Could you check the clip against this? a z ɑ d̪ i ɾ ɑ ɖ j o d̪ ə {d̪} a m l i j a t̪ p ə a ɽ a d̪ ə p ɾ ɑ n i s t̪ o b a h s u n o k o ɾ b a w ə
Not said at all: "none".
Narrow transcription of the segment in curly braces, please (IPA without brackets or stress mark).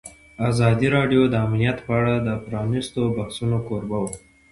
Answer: none